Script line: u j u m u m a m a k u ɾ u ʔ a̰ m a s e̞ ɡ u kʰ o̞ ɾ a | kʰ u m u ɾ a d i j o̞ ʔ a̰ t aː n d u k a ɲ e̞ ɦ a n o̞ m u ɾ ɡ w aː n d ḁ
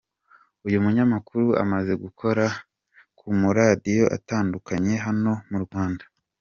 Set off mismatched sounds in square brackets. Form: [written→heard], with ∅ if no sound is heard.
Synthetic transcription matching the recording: u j u m u [m→ɲ] a m a k u ɾ u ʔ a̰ m a [s→z] e̞ ɡ u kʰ o̞ ɾ a | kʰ u m u ɾ a d i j o̞ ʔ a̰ t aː n d u k a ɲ e̞ ɦ a n o̞ m u ɾ ɡ w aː n d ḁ